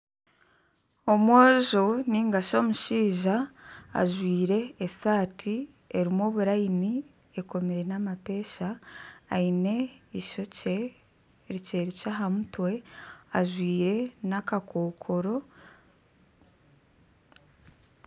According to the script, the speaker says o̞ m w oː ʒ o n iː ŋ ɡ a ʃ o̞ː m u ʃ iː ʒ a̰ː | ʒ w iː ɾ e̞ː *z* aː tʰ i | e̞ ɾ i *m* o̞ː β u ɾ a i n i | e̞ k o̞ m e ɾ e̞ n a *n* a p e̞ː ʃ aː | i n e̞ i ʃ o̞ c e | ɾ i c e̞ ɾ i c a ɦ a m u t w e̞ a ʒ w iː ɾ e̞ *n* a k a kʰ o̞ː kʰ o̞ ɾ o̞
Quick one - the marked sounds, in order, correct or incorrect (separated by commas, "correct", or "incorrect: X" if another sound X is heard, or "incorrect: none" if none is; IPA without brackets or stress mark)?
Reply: incorrect: s, correct, incorrect: m, correct